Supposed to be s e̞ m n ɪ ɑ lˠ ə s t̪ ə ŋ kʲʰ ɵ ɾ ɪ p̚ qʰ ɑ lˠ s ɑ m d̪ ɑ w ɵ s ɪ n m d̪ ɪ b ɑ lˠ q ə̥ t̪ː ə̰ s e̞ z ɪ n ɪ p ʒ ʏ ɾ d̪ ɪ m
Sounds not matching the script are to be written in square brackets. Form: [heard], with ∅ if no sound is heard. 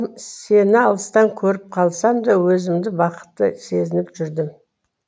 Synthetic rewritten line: s e̞ [∅] n ɪ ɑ lˠ ə s t̪ [ɑ] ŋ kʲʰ ɵ ɾ ɪ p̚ qʰ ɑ lˠ s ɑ m d̪ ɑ w ɵ [z] ɪ [∅] m d̪ ɪ b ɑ [∅] q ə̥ t̪ː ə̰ s e̞ z ɪ n ɪ p ʒ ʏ ɾ d̪ ɪ m